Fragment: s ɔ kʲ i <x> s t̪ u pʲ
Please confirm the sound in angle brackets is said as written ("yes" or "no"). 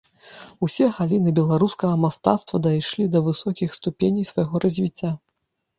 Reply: yes